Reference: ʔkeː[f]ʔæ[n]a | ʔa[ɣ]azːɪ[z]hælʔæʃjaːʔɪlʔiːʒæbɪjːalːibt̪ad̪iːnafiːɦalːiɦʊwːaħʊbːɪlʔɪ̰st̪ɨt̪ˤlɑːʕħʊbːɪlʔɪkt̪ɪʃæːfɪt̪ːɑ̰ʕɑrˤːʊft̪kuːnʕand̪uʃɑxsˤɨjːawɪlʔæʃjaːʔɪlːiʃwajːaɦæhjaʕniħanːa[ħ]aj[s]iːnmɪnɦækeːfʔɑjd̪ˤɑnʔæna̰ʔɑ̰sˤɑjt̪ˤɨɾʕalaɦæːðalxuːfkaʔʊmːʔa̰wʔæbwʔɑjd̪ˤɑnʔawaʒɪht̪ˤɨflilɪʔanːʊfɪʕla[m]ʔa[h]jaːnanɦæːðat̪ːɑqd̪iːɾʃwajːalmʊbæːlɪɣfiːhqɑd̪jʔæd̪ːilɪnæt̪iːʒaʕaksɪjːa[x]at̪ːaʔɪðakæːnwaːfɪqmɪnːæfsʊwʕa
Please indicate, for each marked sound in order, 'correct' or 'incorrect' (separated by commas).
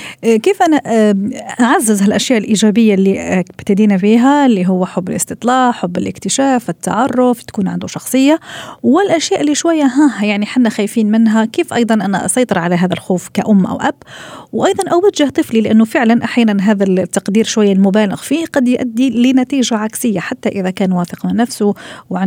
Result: correct, correct, incorrect, correct, incorrect, incorrect, incorrect, incorrect, incorrect